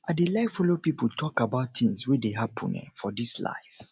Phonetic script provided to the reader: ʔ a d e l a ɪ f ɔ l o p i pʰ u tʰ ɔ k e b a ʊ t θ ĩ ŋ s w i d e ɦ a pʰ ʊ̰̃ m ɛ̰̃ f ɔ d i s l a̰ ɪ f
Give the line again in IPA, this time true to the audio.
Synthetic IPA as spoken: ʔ a d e l a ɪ f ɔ l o p i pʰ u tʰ ɔ k a b a ʊ t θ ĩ ŋ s w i d e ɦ a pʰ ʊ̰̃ n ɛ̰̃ f ɔ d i s l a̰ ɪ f